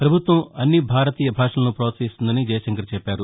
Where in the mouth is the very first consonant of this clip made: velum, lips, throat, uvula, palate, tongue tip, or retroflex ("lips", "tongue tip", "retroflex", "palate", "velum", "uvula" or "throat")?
lips